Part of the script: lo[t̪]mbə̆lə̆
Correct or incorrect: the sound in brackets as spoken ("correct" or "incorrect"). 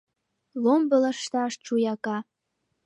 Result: incorrect